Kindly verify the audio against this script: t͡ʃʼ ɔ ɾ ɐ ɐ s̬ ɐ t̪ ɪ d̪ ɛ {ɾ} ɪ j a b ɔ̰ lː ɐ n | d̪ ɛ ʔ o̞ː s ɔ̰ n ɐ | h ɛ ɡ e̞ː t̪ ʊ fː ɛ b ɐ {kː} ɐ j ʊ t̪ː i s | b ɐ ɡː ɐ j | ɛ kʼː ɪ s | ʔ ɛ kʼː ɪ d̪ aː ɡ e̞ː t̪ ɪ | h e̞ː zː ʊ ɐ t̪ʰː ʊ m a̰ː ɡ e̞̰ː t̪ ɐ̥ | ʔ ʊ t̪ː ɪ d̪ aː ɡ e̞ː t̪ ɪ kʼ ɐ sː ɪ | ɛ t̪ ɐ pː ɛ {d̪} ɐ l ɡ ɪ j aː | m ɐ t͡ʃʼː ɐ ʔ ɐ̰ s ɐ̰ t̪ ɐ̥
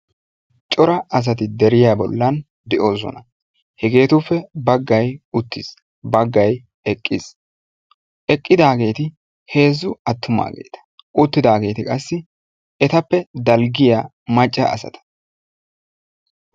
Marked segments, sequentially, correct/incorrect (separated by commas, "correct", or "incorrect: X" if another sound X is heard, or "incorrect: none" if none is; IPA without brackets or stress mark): correct, incorrect: ɡː, correct